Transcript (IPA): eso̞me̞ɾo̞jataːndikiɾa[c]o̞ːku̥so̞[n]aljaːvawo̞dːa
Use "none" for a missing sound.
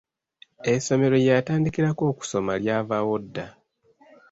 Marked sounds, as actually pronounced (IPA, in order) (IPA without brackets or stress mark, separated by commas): k, m